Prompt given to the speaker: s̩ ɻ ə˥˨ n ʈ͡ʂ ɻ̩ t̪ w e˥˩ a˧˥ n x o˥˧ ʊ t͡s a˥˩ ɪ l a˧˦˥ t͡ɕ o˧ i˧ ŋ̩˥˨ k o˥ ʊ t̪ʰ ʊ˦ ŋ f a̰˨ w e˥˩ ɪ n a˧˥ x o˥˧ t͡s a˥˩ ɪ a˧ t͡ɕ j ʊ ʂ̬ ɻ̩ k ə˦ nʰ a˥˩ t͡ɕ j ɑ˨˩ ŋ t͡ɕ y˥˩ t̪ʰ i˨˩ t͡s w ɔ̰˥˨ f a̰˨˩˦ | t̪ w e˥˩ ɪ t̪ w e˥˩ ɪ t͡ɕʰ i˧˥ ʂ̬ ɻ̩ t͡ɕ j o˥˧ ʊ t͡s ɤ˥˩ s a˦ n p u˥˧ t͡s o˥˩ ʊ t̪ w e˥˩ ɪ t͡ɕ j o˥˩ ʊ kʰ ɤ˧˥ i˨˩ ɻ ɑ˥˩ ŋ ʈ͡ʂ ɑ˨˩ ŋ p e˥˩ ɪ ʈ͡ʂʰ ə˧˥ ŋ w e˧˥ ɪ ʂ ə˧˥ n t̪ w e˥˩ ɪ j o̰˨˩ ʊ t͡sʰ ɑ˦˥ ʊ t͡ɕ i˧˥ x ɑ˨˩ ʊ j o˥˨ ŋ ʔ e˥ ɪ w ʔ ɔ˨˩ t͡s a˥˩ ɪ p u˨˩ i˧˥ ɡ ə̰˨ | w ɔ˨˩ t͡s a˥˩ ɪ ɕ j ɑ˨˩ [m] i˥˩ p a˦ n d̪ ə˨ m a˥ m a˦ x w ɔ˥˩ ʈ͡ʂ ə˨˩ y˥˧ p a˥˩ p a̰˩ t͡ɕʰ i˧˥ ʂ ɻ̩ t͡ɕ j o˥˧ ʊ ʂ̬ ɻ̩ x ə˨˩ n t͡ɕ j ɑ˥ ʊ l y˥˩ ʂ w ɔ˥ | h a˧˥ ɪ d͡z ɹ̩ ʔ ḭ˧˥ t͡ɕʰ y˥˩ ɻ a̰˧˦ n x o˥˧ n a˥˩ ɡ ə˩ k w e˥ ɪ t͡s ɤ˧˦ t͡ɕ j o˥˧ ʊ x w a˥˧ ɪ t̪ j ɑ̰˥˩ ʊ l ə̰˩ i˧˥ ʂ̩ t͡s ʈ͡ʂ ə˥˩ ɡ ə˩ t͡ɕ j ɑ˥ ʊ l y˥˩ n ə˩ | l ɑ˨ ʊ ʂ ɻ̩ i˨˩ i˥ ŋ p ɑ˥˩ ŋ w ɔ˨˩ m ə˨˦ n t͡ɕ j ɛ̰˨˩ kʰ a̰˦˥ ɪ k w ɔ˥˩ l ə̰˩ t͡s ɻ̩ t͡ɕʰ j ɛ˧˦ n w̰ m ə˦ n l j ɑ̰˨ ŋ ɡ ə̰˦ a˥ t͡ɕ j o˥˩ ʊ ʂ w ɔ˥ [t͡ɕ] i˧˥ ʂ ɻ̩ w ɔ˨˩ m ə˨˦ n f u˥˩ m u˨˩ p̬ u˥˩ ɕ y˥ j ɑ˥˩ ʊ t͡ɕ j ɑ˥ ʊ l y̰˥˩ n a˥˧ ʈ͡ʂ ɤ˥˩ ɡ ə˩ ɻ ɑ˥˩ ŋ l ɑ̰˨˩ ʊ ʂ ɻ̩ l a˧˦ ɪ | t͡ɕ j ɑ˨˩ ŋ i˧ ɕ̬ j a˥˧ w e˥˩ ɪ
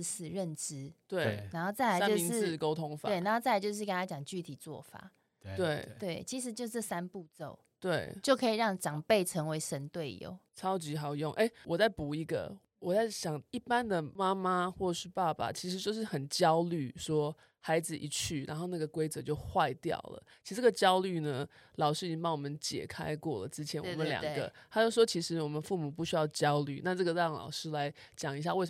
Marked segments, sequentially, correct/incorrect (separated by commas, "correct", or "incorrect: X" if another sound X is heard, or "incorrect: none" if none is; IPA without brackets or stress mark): incorrect: ŋ, incorrect: t͡ɕʰ